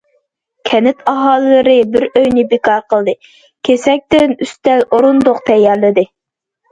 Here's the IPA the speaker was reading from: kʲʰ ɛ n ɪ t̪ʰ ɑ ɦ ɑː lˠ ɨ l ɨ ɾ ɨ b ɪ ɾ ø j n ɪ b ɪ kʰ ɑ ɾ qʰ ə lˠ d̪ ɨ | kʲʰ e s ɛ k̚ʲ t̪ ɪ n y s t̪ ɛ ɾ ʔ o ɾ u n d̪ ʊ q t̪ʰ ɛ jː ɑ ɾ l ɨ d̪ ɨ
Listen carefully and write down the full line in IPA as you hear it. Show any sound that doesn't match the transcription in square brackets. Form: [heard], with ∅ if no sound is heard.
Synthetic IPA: kʲʰ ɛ n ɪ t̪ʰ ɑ ɦ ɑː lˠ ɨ l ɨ ɾ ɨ b ɪ ɾ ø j n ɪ b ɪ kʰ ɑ ɾ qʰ ə lˠ d̪ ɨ | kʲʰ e s ɛ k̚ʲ t̪ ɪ n y s t̪ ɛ [l] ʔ o ɾ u n d̪ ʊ q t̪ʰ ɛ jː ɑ ɾ l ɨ d̪ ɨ

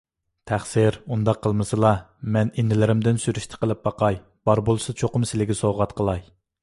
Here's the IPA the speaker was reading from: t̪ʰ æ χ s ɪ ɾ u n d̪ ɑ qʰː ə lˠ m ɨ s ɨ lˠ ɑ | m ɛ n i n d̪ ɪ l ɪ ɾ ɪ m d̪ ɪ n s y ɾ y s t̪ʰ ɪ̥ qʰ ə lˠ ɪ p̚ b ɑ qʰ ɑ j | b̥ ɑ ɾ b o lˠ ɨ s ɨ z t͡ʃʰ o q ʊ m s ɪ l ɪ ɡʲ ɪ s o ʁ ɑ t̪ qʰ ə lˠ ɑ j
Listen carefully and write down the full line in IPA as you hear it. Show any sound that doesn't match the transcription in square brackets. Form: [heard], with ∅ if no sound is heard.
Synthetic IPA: t̪ʰ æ χ s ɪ ɾ u n d̪ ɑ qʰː ə lˠ m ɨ s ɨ lˠ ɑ | m ɛ n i n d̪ ɪ l ɪ ɾ ɪ m d̪ ɪ n s y ɾ y [ʃ] t̪ʰ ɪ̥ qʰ ə lˠ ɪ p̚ b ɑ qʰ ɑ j | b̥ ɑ ɾ b o lˠ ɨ s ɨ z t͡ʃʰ o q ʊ m s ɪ l ɪ ɡʲ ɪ s o ʁ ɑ t̪ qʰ ə lˠ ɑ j

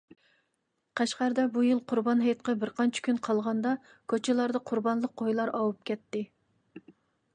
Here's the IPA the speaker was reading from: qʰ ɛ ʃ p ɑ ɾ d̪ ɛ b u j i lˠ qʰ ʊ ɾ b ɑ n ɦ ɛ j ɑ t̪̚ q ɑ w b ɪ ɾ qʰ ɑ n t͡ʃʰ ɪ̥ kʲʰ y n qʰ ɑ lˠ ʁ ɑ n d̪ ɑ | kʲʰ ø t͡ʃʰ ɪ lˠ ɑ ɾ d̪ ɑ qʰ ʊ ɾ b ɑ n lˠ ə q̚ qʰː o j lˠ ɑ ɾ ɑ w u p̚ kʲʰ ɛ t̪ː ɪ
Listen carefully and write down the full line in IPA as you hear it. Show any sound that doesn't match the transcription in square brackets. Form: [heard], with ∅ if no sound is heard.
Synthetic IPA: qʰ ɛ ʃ [q] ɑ ɾ d̪ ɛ b u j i lˠ qʰ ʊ ɾ b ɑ n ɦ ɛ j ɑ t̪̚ q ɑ [∅] b ɪ ɾ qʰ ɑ n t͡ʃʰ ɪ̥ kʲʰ y n qʰ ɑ lˠ ʁ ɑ n d̪ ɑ | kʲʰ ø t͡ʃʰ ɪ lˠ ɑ ɾ d̪ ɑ qʰ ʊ ɾ b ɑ n lˠ ə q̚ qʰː o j lˠ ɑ ɾ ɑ w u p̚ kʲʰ ɛ t̪ː ɪ

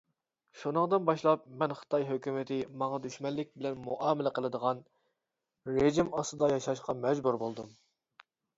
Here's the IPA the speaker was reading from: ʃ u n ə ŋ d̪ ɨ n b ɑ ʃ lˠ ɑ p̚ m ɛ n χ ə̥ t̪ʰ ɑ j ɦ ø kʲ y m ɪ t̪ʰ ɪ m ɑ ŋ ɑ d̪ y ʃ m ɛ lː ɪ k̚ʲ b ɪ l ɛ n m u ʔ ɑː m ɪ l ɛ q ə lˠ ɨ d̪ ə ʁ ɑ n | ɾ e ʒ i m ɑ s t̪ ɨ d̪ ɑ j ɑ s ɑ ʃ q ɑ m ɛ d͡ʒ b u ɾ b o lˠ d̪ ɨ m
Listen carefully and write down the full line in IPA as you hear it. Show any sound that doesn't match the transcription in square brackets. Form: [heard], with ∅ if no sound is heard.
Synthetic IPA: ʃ u n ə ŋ d̪ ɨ n b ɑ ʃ lˠ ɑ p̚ m ɛ n χ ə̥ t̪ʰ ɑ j ɦ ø kʲ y m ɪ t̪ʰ ɪ m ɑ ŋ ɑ d̪ y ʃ m ɛ lː ɪ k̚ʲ b ɪ l ɛ n m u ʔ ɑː m ɪ l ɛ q ə lˠ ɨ d̪ ə ʁ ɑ n | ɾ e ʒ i m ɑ s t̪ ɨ d̪ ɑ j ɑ [ʃ] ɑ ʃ q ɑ m ɛ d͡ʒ b u ɾ b o lˠ d̪ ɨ m

